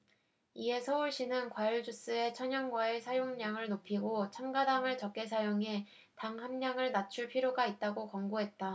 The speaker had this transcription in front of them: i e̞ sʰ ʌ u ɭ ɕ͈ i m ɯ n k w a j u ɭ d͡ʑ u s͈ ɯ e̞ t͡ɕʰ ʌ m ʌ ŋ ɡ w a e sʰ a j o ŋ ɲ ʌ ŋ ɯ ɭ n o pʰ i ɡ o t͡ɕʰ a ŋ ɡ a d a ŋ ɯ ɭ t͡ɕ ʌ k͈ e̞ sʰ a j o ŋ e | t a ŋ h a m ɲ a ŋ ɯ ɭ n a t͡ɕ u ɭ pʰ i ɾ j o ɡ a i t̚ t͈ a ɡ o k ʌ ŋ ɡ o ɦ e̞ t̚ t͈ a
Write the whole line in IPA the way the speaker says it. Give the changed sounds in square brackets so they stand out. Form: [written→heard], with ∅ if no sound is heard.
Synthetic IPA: i e̞ sʰ ʌ u ɭ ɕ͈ i [m→n] ɯ n k w a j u ɭ d͡ʑ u s͈ ɯ e̞ t͡ɕʰ ʌ [m→ɲ] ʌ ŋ ɡ w a e sʰ a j o ŋ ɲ [ʌ→a] ŋ ɯ ɭ n o pʰ i ɡ o t͡ɕʰ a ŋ ɡ a d a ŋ ɯ ɭ t͡ɕ ʌ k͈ e̞ sʰ a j o ŋ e | t a ŋ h a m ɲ a ŋ ɯ ɭ n a [t͡ɕ→t͡ɕʰ] u ɭ pʰ i ɾ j o ɡ a i t̚ t͈ a ɡ o k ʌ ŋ ɡ o ɦ e̞ t̚ t͈ a

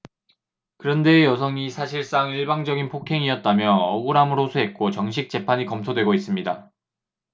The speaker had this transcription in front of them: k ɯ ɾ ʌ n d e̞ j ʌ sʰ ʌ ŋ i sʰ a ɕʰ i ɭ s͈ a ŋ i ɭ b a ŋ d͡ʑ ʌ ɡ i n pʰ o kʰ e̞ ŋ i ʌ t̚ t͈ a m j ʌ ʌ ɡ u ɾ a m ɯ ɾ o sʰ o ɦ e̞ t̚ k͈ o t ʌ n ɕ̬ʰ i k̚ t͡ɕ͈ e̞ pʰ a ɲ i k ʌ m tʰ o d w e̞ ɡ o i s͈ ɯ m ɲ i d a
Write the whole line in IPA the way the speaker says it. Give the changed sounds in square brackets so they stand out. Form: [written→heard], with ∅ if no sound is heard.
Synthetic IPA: k ɯ ɾ ʌ n d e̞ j ʌ sʰ ʌ ŋ i sʰ a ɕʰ i ɭ s͈ a ŋ i ɭ b a ŋ d͡ʑ ʌ ɡ i n pʰ o kʰ e̞ ŋ i ʌ t̚ t͈ a m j ʌ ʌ ɡ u ɾ a m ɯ ɾ o sʰ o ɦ e̞ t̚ k͈ o [t→t͡ɕ] ʌ [n→ŋ] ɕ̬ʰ i k̚ t͡ɕ͈ e̞ pʰ a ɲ i k ʌ m tʰ o d w e̞ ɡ o i s͈ ɯ m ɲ i d a

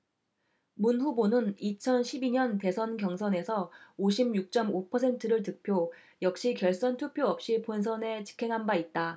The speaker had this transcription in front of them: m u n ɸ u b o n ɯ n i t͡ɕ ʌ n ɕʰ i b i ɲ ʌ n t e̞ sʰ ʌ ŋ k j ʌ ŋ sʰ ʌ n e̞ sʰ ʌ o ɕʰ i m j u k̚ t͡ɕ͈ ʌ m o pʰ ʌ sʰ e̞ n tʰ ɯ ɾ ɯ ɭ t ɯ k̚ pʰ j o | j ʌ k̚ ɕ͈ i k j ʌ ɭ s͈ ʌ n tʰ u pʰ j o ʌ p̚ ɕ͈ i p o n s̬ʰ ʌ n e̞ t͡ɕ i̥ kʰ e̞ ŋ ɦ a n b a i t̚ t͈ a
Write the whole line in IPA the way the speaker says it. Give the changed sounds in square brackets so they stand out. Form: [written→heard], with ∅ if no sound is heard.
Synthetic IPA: m u n ɸ u b o n ɯ n i [t͡ɕ→t͡ɕʰ] ʌ n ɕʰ i b i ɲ ʌ n t e̞ sʰ ʌ [ŋ→n] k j ʌ ŋ sʰ ʌ n e̞ sʰ ʌ o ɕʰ i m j u k̚ t͡ɕ͈ ʌ m o pʰ ʌ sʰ e̞ n tʰ ɯ ɾ ɯ ɭ t ɯ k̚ pʰ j o | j ʌ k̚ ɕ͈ i k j ʌ ɭ s͈ ʌ n tʰ u pʰ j o ʌ p̚ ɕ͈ i p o n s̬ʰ ʌ n e̞ t͡ɕ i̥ kʰ e̞ ŋ ɦ a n b a i t̚ t͈ a

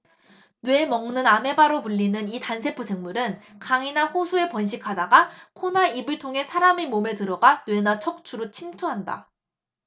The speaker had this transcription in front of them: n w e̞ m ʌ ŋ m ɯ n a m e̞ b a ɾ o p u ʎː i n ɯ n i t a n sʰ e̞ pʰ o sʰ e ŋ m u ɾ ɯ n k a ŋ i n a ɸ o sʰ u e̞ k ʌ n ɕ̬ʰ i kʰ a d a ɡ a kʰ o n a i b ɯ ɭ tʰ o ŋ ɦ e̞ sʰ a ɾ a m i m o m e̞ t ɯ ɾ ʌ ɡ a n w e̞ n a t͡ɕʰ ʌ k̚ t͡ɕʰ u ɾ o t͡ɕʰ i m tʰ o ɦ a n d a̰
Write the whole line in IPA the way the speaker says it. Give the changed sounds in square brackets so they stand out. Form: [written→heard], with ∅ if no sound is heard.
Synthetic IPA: n w e̞ m ʌ ŋ [m→n] ɯ n a m e̞ b a ɾ o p u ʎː i n ɯ n i t a n sʰ e̞ pʰ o sʰ e ŋ m u ɾ ɯ n k a ŋ i n a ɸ o sʰ u e̞ [k→p] ʌ n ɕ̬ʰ i kʰ a d a ɡ a kʰ o n a i b ɯ ɭ tʰ o ŋ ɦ e̞ sʰ a ɾ a m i m o m e̞ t ɯ ɾ ʌ ɡ a n w e̞ n a t͡ɕʰ ʌ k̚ t͡ɕʰ u ɾ o t͡ɕʰ i m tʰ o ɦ a n d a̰

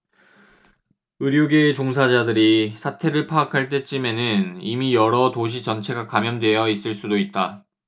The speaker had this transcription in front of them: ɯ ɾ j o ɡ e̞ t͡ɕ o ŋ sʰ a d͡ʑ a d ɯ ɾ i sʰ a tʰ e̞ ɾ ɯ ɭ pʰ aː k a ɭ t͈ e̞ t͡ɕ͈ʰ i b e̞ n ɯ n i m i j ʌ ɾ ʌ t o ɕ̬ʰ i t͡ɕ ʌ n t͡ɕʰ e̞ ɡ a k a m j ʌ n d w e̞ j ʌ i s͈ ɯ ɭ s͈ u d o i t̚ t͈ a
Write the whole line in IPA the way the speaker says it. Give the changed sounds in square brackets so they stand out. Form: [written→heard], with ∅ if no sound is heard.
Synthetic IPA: ɯ ɾ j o ɡ e̞ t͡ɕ o ŋ sʰ a d͡ʑ a d ɯ ɾ i sʰ a tʰ e̞ ɾ ɯ ɭ pʰ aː [k→kʰ] a ɭ t͈ e̞ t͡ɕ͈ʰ i [b→m] e̞ n ɯ n i m i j ʌ ɾ ʌ t o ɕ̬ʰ i t͡ɕ ʌ n t͡ɕʰ e̞ ɡ a k a m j ʌ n d w e̞ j ʌ i s͈ ɯ ɭ s͈ u d o i t̚ t͈ a

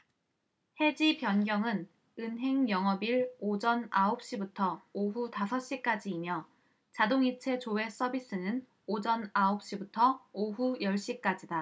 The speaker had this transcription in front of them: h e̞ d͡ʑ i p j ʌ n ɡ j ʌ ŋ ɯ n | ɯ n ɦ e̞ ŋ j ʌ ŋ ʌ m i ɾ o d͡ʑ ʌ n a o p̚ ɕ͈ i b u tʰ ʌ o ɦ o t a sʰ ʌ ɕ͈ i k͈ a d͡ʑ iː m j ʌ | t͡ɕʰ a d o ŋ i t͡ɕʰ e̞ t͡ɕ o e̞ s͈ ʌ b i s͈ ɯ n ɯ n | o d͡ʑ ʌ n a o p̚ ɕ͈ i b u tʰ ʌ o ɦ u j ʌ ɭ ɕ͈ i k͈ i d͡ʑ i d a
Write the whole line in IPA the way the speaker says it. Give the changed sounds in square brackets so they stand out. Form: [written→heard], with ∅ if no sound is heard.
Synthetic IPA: h e̞ d͡ʑ i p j ʌ n ɡ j ʌ ŋ ɯ n | ɯ n ɦ e̞ ŋ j ʌ ŋ ʌ [m→b] i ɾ o d͡ʑ ʌ n a o p̚ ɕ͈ i b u tʰ ʌ o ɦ [o→u] t a sʰ ʌ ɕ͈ i k͈ a d͡ʑ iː m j ʌ | [t͡ɕʰ→t͡ɕ] a d o ŋ i t͡ɕʰ e̞ t͡ɕ o e̞ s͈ ʌ b i s͈ ɯ n ɯ n | o d͡ʑ ʌ n a o p̚ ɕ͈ i b u tʰ ʌ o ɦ u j ʌ ɭ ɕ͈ i k͈ [i→a] d͡ʑ i d a

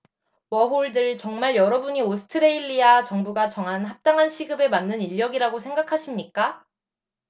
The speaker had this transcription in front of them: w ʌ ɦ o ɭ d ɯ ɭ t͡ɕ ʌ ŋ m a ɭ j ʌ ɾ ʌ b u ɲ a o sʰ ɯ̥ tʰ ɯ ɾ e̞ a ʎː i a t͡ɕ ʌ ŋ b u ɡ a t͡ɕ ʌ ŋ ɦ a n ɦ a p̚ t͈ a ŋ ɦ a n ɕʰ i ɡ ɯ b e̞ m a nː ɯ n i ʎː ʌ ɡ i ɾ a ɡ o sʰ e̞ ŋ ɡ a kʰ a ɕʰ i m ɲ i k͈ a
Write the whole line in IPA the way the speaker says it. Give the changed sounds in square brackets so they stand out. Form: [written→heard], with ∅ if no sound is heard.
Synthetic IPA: w ʌ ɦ o ɭ d ɯ ɭ t͡ɕ ʌ ŋ m a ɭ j ʌ ɾ ʌ b u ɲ [a→i] o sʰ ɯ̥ tʰ ɯ ɾ e̞ [a→i] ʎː i a t͡ɕ ʌ ŋ b u ɡ a t͡ɕ ʌ ŋ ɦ a n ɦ a p̚ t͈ a ŋ ɦ a n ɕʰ i ɡ ɯ b e̞ m a nː ɯ n i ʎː ʌ ɡ i ɾ a ɡ o sʰ e̞ ŋ ɡ a kʰ a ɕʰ i m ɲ i k͈ a

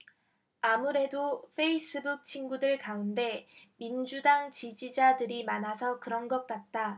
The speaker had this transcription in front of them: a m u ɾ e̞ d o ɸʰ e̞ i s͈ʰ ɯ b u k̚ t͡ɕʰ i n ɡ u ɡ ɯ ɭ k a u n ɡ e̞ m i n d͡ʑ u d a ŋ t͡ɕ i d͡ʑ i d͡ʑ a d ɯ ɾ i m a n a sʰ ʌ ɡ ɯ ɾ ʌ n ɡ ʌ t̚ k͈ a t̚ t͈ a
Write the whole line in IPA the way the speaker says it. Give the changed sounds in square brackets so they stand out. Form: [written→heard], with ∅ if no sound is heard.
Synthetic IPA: a m u ɾ e̞ d o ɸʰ e̞ i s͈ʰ ɯ b u k̚ t͡ɕʰ i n ɡ u [ɡ→d] ɯ ɭ k a u n [ɡ→d] e̞ m i n d͡ʑ u d a ŋ t͡ɕ i d͡ʑ i d͡ʑ a d ɯ ɾ i m a n a sʰ ʌ [ɡ→k] ɯ ɾ ʌ n ɡ ʌ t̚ k͈ a t̚ t͈ a

